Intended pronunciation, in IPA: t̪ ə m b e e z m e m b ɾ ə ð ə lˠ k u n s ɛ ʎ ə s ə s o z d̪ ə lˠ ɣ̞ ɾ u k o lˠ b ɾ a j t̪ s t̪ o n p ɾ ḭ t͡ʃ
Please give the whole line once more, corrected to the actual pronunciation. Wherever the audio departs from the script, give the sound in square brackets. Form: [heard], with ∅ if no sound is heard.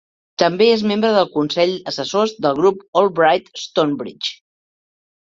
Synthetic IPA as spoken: t̪ ə m b e e z m e m b ɾ ə ð ə lˠ k u n s ɛ ʎ ə s ə s o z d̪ ə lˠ ɣ̞ ɾ u [p] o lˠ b ɾ a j t̪ s t̪ o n [b] ɾ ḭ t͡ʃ